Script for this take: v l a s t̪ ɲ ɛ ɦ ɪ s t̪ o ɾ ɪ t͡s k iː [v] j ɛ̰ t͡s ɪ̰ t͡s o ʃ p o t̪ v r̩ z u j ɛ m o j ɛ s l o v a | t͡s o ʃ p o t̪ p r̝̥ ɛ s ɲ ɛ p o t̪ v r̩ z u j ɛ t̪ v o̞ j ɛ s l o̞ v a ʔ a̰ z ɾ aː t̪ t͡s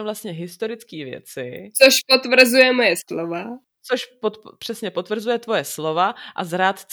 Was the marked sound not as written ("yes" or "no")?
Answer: no